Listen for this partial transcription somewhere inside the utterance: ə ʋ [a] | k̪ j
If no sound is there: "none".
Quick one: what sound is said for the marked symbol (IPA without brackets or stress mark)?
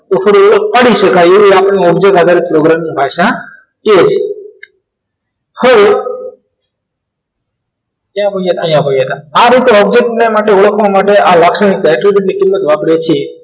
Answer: e